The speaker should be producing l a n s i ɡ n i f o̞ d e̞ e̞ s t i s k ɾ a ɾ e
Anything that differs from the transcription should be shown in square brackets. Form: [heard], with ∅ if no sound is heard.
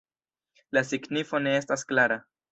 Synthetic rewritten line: l a [∅] s i ɡ n i f o̞ [n] e̞ e̞ s t [a] s k [l] a ɾ [a]